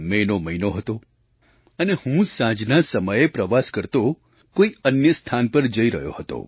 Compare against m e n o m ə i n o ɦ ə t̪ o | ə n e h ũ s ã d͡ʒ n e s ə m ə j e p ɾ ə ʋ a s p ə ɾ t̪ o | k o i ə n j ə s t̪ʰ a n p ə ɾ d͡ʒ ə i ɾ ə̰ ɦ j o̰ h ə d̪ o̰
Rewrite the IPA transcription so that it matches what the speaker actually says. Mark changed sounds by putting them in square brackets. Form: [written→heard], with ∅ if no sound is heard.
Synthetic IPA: m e n o m ə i n o ɦ ə t̪ o | ə n e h ũ s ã d͡ʒ n [e→a] s ə m ə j e p ɾ ə ʋ a s [p→k] ə ɾ t̪ o | k o i ə n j ə s t̪ʰ a n p ə ɾ d͡ʒ ə i ɾ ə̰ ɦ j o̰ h ə [d̪→t̪] o̰